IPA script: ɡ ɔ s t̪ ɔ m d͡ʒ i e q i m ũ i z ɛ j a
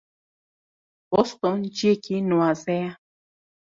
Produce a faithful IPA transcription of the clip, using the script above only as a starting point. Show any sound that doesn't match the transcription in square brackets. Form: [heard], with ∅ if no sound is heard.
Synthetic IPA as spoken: [b] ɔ s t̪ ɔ [n] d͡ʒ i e [k] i [n] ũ [a] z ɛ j a